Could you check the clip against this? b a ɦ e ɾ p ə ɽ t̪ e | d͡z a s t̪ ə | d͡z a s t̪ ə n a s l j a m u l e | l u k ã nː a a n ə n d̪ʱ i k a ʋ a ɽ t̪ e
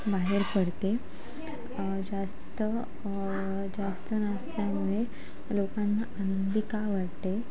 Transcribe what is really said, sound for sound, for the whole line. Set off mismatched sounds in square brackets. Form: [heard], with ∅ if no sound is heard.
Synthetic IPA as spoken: b a ɦ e ɾ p ə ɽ t̪ e | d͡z a s t̪ ə | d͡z a s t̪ ə n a s l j a m u [ɭ] e | l [o] k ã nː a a n ə n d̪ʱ i k a ʋ a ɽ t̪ e